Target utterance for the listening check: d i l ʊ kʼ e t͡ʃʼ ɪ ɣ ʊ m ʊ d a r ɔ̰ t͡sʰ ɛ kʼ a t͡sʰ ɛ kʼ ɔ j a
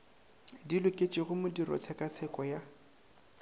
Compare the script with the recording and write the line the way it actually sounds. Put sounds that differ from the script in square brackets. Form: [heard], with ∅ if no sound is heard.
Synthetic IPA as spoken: d i l ʊ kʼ e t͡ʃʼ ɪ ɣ ʊ m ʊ d [i] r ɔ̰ t͡sʰ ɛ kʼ a t͡sʰ ɛ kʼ ɔ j a